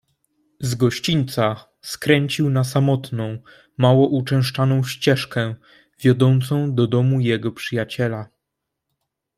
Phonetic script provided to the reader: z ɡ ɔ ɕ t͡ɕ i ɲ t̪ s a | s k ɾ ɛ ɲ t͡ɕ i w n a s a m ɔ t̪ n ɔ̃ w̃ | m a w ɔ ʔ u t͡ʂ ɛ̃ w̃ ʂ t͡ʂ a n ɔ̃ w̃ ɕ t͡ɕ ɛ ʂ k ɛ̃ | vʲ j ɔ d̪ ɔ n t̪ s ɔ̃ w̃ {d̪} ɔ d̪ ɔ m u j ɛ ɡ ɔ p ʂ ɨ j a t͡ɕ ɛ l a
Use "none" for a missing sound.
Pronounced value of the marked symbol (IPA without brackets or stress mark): d̪